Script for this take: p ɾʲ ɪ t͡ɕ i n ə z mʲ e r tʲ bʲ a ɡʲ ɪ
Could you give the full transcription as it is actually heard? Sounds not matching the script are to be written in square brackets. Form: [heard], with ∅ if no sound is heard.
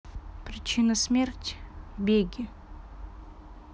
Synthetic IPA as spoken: p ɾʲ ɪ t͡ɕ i n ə [s] mʲ e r tʲ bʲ [e] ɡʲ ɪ